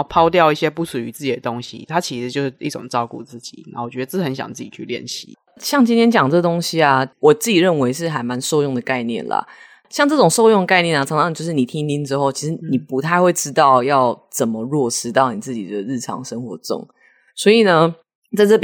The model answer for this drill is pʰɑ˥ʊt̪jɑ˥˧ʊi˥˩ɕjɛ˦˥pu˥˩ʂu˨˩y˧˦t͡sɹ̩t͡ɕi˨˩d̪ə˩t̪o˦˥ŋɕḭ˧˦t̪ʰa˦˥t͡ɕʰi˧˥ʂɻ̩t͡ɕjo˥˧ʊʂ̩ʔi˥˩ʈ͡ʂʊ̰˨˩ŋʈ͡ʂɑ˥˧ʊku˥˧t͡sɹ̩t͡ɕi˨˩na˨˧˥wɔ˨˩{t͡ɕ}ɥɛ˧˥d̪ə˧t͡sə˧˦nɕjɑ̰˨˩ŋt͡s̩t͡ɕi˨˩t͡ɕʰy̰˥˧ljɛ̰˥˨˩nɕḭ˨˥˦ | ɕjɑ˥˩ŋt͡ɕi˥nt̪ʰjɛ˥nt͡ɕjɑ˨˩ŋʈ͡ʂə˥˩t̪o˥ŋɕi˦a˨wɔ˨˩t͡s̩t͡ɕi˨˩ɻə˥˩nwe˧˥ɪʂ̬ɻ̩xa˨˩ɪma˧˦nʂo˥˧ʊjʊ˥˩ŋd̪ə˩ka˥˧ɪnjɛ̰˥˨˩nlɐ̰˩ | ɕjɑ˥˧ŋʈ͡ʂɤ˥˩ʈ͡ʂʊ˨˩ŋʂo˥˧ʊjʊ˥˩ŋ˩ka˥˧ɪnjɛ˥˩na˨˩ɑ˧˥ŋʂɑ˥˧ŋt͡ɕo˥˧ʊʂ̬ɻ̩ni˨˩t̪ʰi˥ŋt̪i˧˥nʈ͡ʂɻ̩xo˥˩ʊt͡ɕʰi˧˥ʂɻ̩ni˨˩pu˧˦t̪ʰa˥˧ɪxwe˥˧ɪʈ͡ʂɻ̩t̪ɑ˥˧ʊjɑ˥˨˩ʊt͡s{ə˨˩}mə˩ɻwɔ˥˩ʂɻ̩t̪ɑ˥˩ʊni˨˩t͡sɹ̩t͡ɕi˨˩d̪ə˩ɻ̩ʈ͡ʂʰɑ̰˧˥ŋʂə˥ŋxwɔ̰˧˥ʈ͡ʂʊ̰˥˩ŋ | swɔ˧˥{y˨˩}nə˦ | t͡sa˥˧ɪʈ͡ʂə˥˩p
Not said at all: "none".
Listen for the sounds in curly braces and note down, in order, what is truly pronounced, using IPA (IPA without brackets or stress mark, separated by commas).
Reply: t͡ɕ, ə˨˩, i˨˩